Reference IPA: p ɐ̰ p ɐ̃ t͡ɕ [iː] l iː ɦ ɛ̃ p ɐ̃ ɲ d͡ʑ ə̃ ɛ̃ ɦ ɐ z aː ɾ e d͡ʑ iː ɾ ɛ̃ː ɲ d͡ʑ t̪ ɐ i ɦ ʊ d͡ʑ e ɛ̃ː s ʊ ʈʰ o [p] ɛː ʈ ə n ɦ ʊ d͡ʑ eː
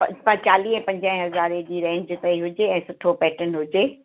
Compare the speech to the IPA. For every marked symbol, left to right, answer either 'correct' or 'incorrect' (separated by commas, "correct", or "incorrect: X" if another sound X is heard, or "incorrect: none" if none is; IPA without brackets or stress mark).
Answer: incorrect: aː, correct